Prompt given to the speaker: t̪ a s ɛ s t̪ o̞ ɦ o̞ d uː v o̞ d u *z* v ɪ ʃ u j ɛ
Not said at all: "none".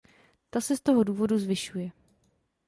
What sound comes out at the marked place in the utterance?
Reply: z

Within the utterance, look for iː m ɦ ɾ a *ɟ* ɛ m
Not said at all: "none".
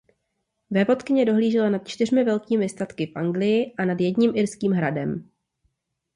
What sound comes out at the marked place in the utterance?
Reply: d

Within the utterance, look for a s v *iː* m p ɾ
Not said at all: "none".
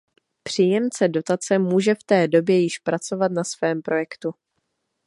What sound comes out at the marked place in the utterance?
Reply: ɛː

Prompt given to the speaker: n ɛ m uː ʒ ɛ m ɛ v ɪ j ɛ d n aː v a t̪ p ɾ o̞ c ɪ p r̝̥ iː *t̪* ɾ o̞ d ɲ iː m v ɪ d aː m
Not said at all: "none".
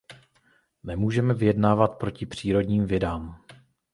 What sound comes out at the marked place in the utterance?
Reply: none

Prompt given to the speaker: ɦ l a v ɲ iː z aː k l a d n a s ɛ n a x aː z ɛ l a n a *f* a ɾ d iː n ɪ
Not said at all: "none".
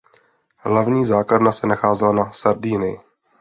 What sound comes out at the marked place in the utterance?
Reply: s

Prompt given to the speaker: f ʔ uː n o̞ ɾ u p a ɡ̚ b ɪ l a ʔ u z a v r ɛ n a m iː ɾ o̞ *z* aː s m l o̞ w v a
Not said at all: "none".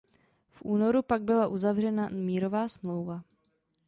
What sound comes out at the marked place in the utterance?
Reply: v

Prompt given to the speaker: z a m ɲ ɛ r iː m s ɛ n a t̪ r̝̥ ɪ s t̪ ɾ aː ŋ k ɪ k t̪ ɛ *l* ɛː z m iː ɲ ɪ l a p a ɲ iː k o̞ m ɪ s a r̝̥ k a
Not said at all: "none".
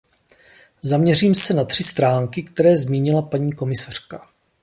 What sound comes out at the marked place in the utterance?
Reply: ɾ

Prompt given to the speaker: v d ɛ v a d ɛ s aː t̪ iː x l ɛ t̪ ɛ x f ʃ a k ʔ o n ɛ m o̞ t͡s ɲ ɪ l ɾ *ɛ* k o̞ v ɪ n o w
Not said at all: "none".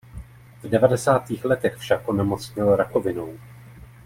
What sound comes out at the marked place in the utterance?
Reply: a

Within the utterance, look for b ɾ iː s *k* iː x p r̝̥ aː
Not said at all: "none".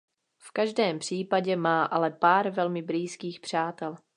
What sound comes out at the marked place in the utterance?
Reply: k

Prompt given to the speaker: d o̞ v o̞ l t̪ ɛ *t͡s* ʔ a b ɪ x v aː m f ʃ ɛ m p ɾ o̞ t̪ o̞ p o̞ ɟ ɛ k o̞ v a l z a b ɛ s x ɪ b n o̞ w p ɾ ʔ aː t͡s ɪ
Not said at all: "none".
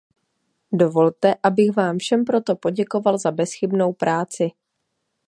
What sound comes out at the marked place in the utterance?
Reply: none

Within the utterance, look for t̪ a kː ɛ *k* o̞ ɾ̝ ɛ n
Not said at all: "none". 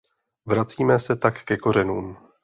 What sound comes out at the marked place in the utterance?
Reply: k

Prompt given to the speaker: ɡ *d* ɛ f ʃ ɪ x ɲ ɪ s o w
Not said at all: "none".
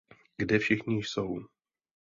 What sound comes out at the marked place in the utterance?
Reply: d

